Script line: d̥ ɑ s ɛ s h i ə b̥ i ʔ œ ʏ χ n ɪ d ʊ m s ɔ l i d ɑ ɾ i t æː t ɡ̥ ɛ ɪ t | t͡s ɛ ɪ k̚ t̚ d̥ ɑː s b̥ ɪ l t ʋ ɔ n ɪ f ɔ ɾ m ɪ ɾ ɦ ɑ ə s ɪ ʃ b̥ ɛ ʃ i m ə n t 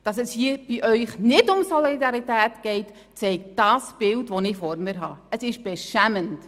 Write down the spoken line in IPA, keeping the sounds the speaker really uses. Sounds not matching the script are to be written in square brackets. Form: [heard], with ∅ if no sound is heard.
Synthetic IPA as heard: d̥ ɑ s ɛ s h i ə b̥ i ʔ œ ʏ χ n ɪ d ʊ m s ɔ l i d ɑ ɾ i t æː t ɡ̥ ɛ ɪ t | t͡s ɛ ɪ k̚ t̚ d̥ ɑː s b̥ ɪ l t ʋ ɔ n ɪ f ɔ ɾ m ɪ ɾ ɦ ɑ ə s ɪ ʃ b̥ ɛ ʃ [æ] m ə n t